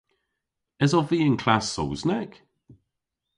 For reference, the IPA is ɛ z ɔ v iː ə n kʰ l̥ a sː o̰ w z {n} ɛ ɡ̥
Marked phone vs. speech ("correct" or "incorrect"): correct